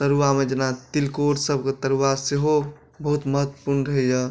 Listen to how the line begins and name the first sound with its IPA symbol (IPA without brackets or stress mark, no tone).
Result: t̪